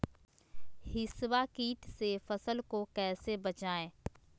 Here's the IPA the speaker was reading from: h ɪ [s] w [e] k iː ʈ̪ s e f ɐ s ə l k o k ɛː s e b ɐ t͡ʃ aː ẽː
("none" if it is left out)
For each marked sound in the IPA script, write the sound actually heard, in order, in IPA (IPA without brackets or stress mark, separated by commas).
s, a